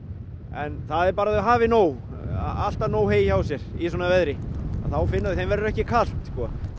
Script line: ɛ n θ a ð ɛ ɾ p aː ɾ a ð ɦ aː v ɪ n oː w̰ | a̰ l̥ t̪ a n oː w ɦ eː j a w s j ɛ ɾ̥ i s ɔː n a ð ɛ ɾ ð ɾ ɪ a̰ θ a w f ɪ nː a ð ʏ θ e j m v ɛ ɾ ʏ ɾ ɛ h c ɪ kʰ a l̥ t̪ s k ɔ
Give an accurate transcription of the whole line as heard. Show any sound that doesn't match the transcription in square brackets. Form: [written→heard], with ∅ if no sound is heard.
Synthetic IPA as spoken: ɛ n θ a ð ɛ ɾ p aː ɾ a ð ɦ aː v ɪ n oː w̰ | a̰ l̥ t̪ a n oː w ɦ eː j a w s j ɛ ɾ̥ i s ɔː n a [ð→v] ɛ [ɾ→∅] ð ɾ ɪ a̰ θ a w f ɪ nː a ð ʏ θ e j m v ɛ ɾ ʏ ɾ ɛ h c ɪ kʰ a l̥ t̪ s k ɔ